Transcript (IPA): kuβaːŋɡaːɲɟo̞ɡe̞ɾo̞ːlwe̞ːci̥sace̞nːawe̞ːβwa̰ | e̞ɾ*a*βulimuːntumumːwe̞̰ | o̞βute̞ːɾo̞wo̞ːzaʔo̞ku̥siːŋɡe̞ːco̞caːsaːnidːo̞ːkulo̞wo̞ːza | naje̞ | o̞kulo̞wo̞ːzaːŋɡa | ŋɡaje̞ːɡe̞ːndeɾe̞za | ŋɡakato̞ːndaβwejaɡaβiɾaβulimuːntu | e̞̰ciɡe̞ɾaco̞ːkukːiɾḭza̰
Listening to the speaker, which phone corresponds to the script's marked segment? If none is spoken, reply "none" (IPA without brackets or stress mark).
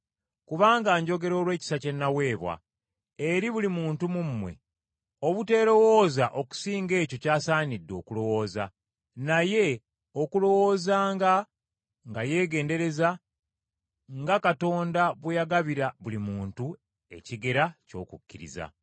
i